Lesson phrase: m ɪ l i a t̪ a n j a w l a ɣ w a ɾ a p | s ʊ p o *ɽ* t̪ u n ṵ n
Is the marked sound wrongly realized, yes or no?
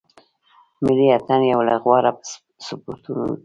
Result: yes